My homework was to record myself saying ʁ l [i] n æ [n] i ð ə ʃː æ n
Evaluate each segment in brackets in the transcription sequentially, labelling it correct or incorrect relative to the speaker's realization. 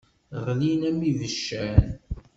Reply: correct, incorrect

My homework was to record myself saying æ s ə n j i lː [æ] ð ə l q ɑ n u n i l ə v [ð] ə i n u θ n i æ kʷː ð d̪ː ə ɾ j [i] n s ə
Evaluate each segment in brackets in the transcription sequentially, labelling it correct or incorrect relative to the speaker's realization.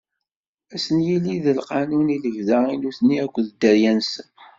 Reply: incorrect, correct, incorrect

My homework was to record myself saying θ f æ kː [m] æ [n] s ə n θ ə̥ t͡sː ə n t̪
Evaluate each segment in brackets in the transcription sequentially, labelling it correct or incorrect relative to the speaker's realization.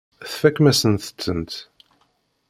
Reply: correct, incorrect

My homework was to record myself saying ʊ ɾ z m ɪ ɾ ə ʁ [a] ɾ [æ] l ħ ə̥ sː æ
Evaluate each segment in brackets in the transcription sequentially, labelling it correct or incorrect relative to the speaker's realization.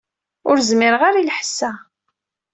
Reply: correct, incorrect

